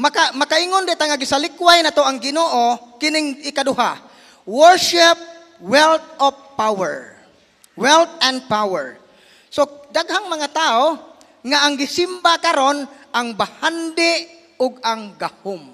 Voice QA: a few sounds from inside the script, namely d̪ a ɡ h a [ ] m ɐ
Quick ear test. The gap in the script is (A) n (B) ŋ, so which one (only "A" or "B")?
B